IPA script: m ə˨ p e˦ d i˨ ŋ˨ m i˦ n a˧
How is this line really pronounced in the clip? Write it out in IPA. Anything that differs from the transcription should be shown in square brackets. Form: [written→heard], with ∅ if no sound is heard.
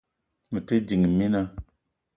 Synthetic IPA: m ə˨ [p→t] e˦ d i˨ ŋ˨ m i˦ n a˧